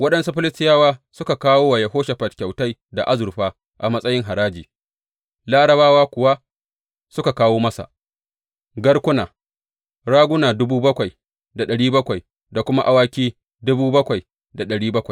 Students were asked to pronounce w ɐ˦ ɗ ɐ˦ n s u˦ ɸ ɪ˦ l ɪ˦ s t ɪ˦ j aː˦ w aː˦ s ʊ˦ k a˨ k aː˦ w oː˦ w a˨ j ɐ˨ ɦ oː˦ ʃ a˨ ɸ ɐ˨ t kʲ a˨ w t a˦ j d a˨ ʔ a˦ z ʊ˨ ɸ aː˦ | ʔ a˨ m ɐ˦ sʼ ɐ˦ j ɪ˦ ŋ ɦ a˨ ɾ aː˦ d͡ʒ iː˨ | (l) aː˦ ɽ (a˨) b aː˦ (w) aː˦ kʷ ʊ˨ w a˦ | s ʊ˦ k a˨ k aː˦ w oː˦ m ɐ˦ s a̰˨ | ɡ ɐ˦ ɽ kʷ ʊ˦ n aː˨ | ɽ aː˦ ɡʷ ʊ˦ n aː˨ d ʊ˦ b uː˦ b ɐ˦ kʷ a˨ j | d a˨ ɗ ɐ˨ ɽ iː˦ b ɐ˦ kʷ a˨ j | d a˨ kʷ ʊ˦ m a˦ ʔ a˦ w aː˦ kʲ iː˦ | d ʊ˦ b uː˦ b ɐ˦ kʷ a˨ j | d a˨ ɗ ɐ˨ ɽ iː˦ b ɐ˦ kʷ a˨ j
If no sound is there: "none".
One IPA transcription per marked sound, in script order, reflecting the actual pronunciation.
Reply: l, ɐ˨, w

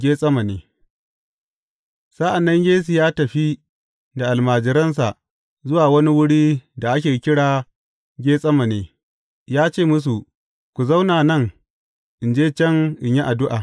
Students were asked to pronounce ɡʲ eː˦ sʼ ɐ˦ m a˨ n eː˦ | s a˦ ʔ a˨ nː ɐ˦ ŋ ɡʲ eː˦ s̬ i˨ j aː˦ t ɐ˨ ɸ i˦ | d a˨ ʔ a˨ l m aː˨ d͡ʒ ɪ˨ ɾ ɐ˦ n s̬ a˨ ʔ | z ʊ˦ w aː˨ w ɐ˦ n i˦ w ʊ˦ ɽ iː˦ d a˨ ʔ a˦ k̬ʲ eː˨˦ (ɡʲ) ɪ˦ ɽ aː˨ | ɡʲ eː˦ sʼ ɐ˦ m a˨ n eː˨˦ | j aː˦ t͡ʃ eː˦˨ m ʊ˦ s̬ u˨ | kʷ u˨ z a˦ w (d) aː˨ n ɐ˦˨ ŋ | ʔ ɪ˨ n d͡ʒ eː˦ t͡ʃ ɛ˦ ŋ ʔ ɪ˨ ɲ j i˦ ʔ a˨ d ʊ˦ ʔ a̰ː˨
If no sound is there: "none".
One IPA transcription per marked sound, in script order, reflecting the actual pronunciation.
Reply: kʲ, n

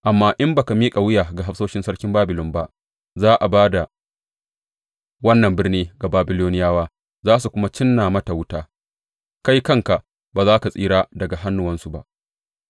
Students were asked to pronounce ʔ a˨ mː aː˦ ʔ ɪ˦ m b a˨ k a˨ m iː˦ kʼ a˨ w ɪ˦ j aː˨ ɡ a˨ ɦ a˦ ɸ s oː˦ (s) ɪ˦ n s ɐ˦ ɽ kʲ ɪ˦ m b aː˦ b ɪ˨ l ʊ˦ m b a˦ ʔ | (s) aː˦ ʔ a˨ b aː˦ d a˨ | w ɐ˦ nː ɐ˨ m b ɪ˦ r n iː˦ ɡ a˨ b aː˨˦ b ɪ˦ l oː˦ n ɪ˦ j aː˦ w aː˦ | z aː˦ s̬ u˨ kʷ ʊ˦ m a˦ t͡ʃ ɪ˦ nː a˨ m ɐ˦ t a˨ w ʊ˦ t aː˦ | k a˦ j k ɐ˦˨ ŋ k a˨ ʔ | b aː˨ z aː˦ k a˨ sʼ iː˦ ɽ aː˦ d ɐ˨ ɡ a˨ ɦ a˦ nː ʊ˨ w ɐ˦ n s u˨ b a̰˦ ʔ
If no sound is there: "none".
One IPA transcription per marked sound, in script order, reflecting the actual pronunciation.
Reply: ʃ, z

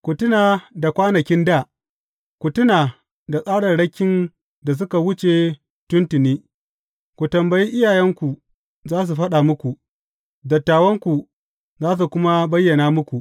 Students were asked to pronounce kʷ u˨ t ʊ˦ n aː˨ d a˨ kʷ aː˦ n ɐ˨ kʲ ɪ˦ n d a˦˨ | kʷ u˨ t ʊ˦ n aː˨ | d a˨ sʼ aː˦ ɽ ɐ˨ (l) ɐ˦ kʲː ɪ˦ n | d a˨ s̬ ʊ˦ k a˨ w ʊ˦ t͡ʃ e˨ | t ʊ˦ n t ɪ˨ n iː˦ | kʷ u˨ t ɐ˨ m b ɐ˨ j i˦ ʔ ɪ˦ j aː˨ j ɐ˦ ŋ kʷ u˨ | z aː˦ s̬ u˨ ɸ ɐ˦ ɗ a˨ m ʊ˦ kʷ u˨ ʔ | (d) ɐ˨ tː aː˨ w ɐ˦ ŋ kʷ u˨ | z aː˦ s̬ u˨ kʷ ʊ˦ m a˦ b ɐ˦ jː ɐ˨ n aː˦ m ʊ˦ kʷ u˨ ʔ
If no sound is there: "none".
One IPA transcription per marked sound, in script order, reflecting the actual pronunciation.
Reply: ɽ, d

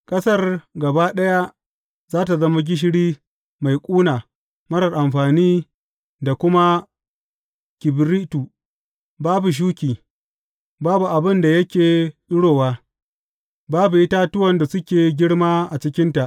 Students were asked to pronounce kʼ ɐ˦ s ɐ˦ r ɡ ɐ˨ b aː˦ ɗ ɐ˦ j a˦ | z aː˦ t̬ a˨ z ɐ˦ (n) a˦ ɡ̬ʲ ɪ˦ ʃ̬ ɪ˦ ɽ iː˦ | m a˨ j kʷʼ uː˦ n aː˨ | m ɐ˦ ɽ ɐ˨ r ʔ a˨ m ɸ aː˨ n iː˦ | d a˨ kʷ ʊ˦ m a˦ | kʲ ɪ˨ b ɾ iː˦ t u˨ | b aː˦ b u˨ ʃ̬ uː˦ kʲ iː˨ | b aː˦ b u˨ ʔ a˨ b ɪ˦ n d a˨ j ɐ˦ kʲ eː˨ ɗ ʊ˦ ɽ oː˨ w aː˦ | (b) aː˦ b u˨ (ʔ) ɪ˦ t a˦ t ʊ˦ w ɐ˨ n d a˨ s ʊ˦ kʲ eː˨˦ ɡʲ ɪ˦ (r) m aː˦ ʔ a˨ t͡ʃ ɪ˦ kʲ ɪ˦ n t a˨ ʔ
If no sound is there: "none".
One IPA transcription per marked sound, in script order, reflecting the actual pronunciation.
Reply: m, b, ʔ, ɽ

